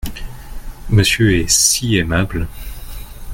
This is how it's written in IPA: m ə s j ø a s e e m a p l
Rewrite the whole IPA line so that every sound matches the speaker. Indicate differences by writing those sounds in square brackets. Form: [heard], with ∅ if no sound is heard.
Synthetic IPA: m ə s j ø [ɛ] s [i] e m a [b] l